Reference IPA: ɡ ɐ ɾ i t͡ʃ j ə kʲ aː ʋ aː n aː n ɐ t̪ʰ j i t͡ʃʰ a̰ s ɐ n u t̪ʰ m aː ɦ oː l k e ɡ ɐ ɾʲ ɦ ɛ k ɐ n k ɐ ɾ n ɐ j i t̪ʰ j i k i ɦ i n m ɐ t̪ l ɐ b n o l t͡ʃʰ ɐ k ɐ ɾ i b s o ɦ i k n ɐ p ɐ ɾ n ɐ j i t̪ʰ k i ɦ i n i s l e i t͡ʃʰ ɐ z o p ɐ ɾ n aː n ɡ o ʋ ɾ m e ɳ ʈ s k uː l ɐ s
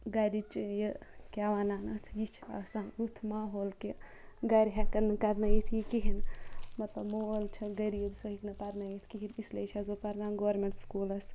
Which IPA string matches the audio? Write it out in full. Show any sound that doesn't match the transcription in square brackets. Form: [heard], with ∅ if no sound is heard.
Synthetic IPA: ɡ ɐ ɾ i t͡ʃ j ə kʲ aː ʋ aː n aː n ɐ t̪ʰ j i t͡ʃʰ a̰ s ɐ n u t̪ʰ m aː ɦ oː l k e ɡ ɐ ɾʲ ɦ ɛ k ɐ n k ɐ ɾ n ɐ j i t̪ʰ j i k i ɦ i n m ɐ t̪ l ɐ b [m] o l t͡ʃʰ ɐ [ɡ] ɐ ɾ i b s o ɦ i k n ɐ p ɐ ɾ n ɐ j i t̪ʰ k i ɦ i n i s l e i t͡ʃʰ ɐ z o p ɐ ɾ n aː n ɡ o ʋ ɾ m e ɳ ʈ s k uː l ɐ s